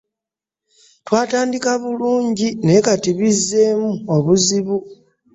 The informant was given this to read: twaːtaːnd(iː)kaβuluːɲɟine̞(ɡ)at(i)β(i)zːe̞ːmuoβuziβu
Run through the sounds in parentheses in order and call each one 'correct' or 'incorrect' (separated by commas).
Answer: incorrect, incorrect, correct, correct